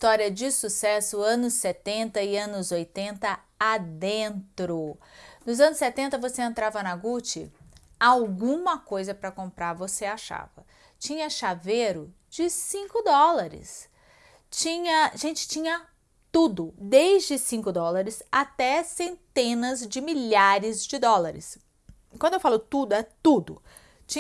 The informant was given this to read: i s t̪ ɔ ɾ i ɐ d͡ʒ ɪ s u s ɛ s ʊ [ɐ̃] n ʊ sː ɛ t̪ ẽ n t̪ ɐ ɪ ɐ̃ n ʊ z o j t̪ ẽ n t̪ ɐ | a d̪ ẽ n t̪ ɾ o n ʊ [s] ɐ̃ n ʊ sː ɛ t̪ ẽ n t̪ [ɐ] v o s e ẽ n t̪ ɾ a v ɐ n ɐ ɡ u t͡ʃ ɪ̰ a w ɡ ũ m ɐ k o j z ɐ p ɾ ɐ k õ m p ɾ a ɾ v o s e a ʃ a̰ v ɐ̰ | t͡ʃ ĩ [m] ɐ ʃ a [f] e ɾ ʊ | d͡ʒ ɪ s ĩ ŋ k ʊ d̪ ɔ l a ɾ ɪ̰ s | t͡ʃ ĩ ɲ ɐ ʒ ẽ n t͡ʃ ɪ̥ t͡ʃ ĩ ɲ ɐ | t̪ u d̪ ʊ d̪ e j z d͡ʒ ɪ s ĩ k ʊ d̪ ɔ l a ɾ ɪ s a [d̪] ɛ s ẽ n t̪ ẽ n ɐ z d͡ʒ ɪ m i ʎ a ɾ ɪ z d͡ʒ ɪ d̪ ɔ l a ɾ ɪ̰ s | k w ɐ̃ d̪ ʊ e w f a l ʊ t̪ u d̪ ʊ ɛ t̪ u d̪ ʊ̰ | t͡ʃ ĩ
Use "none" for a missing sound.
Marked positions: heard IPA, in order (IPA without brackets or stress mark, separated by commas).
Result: ɐ̃, z, ɐ, ɲ, v, t̪